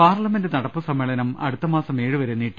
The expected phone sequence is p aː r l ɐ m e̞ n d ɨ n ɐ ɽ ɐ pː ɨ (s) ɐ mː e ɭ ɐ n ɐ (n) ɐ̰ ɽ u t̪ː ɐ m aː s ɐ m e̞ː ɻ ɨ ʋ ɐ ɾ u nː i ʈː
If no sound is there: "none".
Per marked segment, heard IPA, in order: s, m

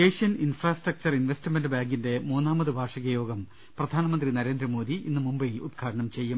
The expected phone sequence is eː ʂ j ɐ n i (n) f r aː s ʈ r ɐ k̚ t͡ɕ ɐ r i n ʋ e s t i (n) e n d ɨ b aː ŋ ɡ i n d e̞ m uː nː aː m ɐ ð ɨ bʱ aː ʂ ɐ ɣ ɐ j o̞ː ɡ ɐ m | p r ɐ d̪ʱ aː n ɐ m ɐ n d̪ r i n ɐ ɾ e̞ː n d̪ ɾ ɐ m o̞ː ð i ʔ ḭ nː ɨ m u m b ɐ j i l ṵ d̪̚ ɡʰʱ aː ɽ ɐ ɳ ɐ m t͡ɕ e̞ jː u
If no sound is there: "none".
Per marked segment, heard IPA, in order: n, m

